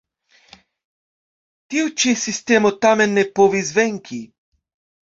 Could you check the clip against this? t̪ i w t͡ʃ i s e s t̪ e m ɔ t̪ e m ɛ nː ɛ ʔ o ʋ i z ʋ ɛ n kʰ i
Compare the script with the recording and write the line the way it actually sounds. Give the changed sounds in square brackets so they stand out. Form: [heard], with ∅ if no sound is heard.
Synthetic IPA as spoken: t̪ i w t͡ʃ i s [i] s t̪ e m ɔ t̪ [a] m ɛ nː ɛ [p] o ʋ i z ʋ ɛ [ŋ] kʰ i